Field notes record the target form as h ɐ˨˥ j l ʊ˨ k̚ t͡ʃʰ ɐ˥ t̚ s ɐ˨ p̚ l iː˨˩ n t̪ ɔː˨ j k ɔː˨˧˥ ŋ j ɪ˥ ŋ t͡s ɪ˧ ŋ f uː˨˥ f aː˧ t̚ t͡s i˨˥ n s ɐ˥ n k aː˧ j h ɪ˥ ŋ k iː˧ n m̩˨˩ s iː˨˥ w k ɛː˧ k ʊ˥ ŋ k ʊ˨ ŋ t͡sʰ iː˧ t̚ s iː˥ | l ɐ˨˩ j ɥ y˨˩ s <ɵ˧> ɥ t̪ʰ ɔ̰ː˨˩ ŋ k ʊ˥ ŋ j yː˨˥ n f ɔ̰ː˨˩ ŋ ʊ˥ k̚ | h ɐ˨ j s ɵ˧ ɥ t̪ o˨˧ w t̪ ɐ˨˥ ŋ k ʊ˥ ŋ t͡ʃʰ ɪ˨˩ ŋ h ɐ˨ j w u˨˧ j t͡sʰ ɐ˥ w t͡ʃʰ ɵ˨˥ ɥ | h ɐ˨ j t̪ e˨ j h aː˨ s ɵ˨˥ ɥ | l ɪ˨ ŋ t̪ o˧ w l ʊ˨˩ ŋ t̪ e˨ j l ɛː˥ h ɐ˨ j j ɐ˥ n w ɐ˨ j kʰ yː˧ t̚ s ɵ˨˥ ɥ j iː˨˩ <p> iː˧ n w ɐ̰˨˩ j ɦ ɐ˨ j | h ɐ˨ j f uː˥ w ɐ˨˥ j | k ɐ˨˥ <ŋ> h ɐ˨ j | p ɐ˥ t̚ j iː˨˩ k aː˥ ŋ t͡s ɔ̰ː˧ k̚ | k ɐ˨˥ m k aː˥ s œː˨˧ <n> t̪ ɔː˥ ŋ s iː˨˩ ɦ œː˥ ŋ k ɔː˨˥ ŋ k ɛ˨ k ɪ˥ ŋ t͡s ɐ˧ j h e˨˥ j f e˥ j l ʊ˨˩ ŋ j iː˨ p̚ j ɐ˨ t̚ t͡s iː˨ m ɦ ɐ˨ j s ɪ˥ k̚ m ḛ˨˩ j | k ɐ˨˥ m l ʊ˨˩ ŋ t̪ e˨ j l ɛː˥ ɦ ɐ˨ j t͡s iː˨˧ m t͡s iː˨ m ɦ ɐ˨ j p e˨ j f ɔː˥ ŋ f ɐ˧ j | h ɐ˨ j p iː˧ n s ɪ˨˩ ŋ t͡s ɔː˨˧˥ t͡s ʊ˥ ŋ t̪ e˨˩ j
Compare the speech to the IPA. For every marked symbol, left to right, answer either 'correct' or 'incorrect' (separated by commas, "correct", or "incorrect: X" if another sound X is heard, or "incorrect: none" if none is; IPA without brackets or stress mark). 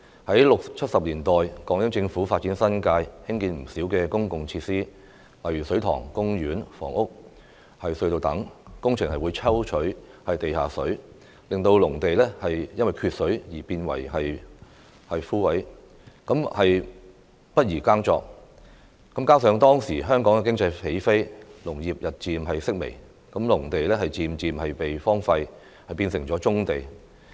incorrect: ɵ˨˥, correct, incorrect: m, incorrect: ŋ